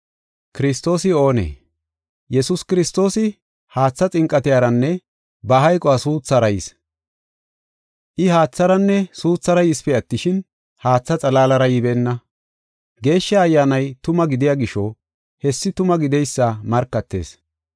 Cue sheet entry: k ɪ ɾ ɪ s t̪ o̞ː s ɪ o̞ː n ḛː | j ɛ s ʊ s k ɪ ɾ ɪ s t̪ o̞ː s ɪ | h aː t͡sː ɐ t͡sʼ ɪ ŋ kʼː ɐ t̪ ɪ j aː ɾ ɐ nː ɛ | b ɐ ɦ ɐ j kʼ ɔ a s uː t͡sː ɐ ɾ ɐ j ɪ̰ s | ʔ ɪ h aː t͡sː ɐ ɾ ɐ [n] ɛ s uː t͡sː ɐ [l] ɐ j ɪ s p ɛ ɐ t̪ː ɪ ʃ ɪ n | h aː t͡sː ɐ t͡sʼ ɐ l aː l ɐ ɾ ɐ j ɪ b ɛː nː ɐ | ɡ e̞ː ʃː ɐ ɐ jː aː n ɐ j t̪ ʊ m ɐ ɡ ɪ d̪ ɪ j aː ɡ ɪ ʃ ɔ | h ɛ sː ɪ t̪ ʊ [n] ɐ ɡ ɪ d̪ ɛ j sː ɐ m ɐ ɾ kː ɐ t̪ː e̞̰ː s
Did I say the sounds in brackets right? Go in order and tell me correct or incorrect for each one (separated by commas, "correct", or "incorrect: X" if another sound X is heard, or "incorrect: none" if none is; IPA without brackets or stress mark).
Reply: incorrect: nː, incorrect: ɾ, incorrect: m